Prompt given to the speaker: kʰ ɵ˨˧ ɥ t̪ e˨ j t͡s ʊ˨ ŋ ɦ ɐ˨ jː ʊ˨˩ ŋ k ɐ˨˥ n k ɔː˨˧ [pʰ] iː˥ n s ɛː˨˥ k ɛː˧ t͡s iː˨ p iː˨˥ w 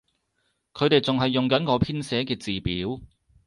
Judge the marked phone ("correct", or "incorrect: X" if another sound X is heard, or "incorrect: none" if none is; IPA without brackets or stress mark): correct